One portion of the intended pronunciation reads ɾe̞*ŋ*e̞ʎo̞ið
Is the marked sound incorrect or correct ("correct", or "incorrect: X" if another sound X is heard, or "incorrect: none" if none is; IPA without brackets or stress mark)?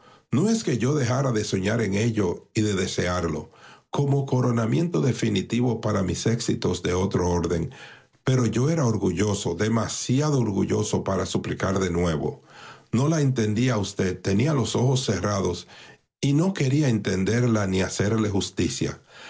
correct